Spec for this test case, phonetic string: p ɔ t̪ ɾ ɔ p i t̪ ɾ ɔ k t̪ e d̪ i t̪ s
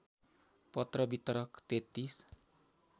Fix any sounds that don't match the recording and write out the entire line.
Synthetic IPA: p ɔ t̪ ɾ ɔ b i t̪ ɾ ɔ k t̪ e t̪ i s